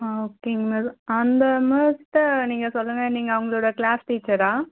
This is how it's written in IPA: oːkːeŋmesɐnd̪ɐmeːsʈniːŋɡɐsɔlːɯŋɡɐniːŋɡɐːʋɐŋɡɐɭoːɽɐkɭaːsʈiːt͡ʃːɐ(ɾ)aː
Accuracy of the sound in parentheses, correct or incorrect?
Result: correct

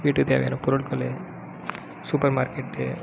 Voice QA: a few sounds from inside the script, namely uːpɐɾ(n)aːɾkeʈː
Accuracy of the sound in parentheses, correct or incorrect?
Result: incorrect: m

